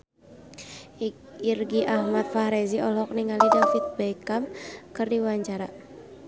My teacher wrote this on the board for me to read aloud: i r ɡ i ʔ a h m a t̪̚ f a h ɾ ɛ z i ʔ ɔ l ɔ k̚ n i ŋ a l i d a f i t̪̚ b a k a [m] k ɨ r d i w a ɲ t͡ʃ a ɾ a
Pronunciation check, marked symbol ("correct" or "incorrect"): correct